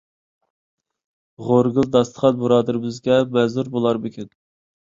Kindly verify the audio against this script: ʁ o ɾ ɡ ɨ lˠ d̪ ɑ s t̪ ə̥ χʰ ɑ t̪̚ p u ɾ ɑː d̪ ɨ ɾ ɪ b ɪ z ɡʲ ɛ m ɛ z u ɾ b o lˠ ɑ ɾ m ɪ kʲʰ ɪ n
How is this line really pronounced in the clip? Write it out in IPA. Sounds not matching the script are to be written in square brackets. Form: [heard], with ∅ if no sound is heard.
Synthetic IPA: ʁ o ɾ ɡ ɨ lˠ d̪ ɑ s t̪ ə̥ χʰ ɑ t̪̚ [b] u ɾ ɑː d̪ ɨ ɾ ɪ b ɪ z ɡʲ ɛ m ɛ z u ɾ b o lˠ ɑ ɾ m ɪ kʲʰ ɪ n

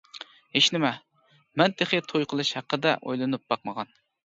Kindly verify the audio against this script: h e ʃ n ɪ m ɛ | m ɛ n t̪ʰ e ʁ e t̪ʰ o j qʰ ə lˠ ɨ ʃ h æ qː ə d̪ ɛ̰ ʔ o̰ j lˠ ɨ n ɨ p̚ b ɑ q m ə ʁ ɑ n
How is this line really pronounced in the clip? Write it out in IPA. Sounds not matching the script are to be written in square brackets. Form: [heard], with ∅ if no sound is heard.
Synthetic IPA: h e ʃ n ɪ m ɛ | m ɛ n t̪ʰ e [χ] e t̪ʰ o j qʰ ə lˠ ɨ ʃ h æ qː ə d̪ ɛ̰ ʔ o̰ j lˠ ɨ n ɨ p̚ b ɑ q m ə ʁ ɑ n

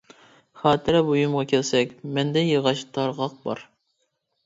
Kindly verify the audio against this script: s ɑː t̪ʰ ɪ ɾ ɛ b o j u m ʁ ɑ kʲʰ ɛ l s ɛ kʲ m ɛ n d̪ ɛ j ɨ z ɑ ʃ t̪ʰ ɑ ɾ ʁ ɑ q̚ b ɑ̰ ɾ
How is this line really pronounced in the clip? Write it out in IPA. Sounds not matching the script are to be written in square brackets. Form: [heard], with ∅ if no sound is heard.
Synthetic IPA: [χ] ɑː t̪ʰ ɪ ɾ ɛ b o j u m ʁ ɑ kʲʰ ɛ l s ɛ kʲ m ɛ n d̪ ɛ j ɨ [ʁ] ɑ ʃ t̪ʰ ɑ ɾ ʁ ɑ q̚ b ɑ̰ ɾ

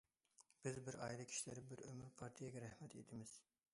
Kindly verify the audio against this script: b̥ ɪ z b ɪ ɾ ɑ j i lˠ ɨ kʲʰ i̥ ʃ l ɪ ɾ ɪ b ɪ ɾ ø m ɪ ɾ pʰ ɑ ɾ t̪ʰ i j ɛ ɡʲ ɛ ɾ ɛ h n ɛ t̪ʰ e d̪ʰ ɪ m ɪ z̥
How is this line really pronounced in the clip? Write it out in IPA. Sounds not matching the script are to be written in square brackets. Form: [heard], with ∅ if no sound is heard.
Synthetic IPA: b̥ ɪ z b ɪ ɾ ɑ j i lˠ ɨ kʲʰ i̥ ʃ l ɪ ɾ ɪ b ɪ ɾ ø m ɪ ɾ pʰ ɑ ɾ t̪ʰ i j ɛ ɡʲ ɛ ɾ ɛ h [m] ɛ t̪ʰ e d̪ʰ ɪ m ɪ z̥

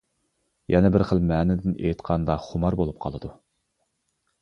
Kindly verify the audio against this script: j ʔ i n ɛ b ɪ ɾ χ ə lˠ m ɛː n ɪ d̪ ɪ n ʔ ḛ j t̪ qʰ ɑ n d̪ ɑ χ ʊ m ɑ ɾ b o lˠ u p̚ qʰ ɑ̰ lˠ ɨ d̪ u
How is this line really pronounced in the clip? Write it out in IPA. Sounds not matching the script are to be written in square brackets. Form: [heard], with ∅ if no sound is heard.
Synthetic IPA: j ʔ [ɛ] n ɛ b ɪ ɾ χ ə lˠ m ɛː n ɪ d̪ ɪ n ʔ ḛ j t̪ qʰ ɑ n d̪ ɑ χ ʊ m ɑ ɾ b o lˠ u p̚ qʰ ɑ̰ lˠ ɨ d̪ u

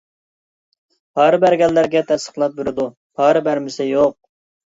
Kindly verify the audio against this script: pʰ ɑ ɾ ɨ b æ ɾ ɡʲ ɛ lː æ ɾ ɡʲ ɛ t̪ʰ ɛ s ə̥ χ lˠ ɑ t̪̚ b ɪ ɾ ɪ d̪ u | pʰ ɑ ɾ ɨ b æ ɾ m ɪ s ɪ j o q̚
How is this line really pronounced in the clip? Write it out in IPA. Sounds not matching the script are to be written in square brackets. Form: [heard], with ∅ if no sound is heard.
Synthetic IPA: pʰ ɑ ɾ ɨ b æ ɾ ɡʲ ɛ lː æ ɾ ɡʲ ɛ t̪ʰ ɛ s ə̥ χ lˠ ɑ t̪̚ b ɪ ɾ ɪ d̪ u | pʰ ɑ ɾ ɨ b æ ɾ m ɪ s ɪ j o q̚

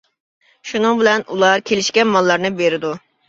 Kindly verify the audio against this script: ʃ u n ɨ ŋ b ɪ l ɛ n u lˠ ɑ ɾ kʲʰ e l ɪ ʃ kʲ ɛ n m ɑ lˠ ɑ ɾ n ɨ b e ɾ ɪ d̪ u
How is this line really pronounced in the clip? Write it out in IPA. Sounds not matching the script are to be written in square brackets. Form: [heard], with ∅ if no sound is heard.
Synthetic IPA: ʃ u n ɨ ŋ b ɪ l ɛ n u lˠ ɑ ɾ kʲʰ e l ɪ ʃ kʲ ɛ n m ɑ [lˠː] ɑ ɾ n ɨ b e ɾ ɪ d̪ u

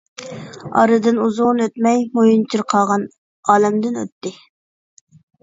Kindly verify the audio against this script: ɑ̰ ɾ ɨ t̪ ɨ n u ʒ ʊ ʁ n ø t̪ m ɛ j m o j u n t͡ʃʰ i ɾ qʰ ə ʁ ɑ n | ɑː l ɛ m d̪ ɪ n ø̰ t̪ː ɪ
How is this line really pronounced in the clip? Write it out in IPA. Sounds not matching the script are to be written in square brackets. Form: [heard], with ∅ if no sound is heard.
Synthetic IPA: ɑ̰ ɾ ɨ [d̪] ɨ n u [z] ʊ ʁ n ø t̪ m ɛ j m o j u n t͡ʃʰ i ɾ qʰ [ɑ] ʁ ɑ n | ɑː l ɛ m d̪ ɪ n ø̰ t̪ː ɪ

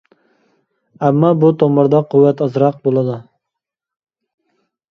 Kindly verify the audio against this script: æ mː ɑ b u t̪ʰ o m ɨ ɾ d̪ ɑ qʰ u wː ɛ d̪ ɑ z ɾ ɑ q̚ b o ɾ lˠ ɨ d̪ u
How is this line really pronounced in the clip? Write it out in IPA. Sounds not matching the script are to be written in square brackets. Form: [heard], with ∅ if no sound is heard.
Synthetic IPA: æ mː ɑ b u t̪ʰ o m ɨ ɾ d̪ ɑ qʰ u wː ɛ [t̪] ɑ z ɾ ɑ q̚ b o [∅] lˠ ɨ d̪ u

